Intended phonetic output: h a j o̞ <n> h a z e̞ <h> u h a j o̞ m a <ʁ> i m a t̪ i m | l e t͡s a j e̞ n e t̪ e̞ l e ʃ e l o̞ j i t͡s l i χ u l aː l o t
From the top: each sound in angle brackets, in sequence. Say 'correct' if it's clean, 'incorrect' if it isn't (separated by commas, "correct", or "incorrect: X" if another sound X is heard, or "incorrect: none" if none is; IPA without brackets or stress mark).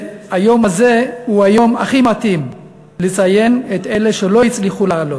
incorrect: m, correct, incorrect: χ